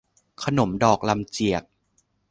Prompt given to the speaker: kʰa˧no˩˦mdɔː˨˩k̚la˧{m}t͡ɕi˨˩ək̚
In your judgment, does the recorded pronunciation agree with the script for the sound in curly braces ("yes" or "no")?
yes